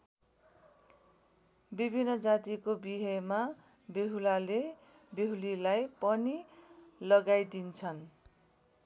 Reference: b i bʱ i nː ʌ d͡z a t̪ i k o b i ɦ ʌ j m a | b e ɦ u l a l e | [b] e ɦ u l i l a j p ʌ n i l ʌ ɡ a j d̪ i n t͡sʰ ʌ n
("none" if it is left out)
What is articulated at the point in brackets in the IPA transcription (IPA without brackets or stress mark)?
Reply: b